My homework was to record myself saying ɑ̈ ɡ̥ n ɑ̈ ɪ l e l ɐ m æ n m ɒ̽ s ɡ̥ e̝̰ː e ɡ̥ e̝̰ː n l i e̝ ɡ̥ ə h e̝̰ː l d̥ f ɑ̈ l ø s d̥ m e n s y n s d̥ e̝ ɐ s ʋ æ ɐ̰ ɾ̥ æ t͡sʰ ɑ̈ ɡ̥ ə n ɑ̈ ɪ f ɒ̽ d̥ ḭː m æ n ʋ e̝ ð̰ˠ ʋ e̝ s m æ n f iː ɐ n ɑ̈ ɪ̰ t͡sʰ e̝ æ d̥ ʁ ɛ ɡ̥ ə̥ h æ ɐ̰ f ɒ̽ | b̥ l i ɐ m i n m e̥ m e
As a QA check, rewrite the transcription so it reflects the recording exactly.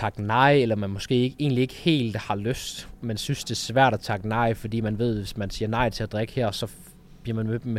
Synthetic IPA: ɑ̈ ɡ̥ n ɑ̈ ɪ e l ɐ m æ n m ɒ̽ s ɡ̥ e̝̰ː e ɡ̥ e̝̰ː n l i e̝ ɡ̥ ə h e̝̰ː l d̥ h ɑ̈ l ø s d̥ m e n s y n s d̥ e̝ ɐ s ʋ æ ɐ̰ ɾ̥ æ t͡sʰ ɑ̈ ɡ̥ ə n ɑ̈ ɪ f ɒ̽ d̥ ḭː m æ n ʋ e̝ ð̰ˠ ʋ e̝ s m æ n s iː ɐ n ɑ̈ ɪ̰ t͡sʰ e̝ æ d̥ ʁ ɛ ɡ̥ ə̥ h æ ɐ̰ s ɒ̽ | b̥ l i ɐ m æ n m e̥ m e